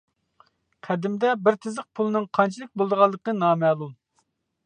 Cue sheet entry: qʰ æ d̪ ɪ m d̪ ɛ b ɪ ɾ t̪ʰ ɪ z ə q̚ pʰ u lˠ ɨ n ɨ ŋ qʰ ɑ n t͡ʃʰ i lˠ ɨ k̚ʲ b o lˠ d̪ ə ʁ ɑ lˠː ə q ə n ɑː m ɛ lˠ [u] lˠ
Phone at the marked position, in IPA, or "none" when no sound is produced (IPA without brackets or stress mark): u